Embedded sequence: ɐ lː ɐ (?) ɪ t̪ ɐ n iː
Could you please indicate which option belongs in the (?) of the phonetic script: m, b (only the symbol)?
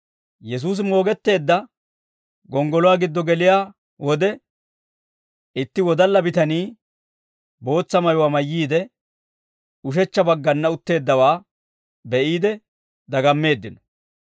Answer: b